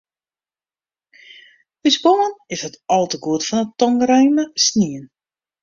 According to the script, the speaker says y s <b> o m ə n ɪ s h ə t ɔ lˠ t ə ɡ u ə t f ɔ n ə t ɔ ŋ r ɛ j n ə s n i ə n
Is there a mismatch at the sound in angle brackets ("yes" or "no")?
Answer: no